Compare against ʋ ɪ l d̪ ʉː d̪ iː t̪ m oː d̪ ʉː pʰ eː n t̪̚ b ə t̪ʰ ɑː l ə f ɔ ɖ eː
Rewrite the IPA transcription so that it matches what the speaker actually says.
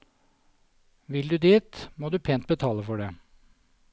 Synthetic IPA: ʋ ɪ l d̪ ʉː d̪ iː t̪ m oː d̪ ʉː pʰ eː n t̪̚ b ə t̪ʰ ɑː l ə f ɔ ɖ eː